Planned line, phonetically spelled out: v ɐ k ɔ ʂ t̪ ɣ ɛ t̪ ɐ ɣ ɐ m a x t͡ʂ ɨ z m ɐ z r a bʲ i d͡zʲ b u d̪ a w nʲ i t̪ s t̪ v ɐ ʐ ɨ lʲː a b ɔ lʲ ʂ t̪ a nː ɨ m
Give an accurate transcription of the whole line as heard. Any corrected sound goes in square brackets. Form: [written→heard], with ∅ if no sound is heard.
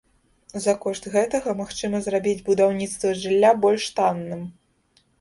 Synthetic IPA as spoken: [v→z] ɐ k ɔ ʂ t̪ ɣ ɛ t̪ ɐ ɣ ɐ m a x t͡ʂ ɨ [z→∅] m ɐ z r a bʲ i d͡zʲ b u d̪ a w nʲ i t̪ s t̪ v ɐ ʐ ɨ lʲː a b ɔ lʲ ʂ t̪ a nː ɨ m